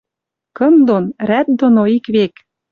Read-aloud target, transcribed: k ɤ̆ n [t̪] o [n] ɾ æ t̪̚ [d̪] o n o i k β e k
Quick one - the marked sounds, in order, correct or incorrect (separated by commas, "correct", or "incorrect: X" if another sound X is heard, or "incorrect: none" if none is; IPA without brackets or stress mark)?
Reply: incorrect: d̪, correct, correct